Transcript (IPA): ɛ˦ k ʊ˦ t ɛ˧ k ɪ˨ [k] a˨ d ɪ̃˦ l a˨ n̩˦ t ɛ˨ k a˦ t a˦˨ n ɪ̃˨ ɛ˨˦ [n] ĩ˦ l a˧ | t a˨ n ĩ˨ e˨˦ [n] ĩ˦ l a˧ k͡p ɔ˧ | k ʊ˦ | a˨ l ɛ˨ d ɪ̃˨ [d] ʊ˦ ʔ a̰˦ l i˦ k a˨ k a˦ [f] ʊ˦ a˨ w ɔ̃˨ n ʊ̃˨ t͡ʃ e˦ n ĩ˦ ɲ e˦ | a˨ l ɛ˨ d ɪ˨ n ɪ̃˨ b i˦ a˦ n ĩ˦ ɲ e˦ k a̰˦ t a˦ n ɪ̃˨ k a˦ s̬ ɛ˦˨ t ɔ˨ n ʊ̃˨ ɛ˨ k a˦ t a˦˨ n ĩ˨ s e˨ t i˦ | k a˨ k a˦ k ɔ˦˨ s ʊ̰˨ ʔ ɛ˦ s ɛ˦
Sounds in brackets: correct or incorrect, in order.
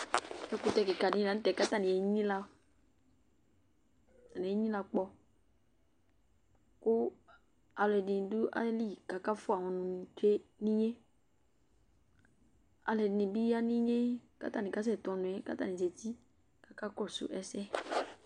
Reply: correct, incorrect, incorrect, correct, correct

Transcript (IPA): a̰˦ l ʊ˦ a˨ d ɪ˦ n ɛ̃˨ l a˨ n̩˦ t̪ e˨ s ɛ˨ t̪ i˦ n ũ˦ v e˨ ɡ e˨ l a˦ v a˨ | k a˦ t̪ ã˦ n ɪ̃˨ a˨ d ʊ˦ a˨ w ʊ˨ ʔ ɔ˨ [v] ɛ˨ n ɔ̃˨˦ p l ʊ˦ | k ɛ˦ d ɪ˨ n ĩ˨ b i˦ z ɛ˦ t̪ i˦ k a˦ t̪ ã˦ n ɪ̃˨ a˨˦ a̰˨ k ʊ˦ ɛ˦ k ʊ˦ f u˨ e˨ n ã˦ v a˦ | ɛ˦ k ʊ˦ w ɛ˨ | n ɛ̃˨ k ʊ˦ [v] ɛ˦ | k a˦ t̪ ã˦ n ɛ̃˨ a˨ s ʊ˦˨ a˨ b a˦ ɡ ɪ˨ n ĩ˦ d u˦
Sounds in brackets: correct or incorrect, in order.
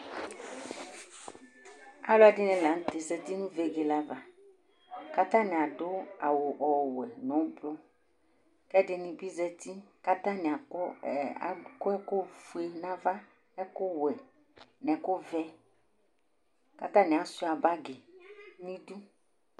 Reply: incorrect, correct

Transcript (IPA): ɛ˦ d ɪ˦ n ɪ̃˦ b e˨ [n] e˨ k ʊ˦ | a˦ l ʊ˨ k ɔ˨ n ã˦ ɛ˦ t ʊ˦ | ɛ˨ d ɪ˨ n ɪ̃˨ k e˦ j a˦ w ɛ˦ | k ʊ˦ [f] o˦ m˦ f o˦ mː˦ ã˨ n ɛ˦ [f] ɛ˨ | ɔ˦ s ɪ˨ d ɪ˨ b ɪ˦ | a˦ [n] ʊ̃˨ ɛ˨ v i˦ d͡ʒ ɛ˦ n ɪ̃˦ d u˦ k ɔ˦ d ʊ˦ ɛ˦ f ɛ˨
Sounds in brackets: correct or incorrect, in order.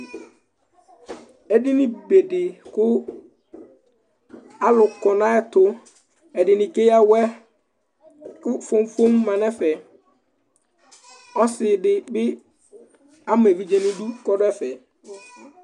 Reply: incorrect, correct, correct, incorrect

